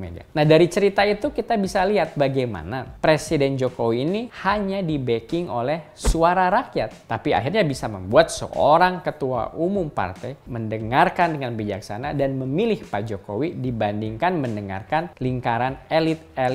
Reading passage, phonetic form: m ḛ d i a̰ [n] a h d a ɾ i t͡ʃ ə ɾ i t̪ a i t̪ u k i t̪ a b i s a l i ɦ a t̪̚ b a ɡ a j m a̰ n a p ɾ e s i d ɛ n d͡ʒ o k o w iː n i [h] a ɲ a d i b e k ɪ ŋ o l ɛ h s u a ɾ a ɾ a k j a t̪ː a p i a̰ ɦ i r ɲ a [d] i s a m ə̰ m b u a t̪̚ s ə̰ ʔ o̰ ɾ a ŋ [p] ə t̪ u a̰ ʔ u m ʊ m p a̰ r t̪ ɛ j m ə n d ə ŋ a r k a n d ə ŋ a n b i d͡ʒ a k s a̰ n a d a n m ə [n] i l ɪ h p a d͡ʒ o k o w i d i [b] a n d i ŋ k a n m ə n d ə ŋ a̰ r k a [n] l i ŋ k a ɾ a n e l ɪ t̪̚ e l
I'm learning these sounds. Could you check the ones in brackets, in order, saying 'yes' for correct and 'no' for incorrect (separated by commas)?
yes, yes, no, no, no, yes, yes